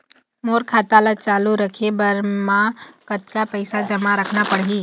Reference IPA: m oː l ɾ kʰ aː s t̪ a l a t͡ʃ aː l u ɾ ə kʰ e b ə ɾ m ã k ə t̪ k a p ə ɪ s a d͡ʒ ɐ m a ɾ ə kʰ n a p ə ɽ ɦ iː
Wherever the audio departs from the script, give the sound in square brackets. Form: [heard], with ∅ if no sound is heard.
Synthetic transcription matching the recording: m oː [∅] ɾ kʰ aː [∅] t̪ a l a t͡ʃ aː l u ɾ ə kʰ e b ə ɾ m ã k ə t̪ k a p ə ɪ s a d͡ʒ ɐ m a ɾ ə kʰ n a p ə ɽ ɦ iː